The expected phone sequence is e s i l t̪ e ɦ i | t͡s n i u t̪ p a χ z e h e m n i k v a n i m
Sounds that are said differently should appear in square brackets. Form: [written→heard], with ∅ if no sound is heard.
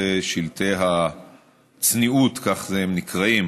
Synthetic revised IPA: e [s→ʃ] i l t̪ e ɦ [i→a] | t͡s n i u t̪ [p→k] a χ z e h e m n i k [v→ʁ] a [n→∅] i m

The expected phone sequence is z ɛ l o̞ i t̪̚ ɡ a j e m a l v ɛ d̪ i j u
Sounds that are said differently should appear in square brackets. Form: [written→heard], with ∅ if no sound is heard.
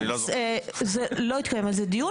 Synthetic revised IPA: z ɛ l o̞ i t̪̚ [ɡ→k] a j e m a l [v→z] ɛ d̪ i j u

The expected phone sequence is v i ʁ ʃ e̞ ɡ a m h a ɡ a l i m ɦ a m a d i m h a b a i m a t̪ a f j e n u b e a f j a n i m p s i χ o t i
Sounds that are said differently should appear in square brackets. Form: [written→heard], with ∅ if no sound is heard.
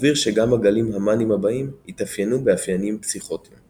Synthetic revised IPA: v i ʁ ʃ e̞ ɡ a m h a ɡ a l i m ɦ a m a [d→n] i m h a b a i m [a→i] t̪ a f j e n u b e a f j a n i m p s i χ o t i

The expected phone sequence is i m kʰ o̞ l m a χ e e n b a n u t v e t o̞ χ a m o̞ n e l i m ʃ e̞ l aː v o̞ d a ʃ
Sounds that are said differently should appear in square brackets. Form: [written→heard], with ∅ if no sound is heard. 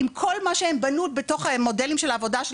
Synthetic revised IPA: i m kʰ o̞ l m a [χ→ʃ] e e [n→m] b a n u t [v→b] e t o̞ χ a m o̞ [n→d] e l i m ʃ e̞ l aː v o̞ d a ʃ

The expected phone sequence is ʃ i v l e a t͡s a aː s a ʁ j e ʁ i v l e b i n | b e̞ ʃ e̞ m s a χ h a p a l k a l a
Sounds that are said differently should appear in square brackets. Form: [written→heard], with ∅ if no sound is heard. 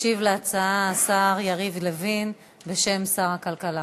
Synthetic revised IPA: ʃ i v l e a t͡s a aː s a ʁ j [e→a] ʁ i v l e [b→v] i n | b e̞ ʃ e̞ m s a [χ→ʁ] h a [p→k] a l k a l a

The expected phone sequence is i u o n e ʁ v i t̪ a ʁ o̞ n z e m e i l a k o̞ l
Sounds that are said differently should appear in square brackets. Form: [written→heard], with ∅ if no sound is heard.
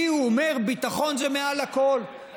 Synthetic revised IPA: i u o [n→m] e ʁ [v→b] i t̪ a [ʁ→χ] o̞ n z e m e [i→a] l a k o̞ l

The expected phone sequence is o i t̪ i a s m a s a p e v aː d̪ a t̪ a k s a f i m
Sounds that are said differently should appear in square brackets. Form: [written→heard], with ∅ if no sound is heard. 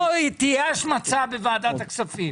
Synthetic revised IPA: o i t̪ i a [s→ʃ] m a [s→t͡s] a [p→b] e v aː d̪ a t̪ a k s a f i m

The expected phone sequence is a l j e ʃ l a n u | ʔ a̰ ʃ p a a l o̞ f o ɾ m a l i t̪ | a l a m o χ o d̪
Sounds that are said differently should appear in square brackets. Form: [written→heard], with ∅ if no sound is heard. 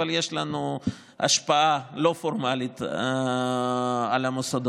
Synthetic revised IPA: a l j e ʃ l a n u | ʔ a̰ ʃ p a a l o̞ f o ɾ m a l i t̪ | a l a m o [χ→s] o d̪

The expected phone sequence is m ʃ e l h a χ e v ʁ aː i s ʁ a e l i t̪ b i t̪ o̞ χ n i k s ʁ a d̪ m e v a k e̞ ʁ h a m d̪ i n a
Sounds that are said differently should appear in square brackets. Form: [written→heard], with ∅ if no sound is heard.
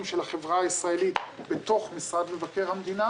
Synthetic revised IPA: m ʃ e l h a χ e v ʁ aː i s ʁ a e l i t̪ b [i→e] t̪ o̞ χ [n→m] i [k→∅] s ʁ a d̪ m e v a k e̞ ʁ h a m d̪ i n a

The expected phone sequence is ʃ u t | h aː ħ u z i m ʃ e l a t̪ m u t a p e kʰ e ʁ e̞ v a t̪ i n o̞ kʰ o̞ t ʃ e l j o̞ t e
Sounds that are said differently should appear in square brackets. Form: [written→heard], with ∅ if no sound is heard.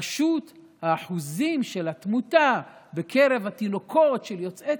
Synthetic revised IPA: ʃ u t | h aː ħ u z i m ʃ e l a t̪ m u t a [p→b] e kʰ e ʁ e̞ v a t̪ i n o̞ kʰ o̞ t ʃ e l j o̞ [t→t͡s] e

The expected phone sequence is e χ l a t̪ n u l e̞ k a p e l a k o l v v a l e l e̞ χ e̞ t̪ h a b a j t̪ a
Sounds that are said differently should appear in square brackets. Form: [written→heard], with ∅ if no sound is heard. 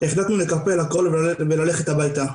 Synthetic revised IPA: e χ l a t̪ n u l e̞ k a p e l a k o l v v [a→e] l [e→a] l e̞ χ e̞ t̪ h a b a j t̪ a

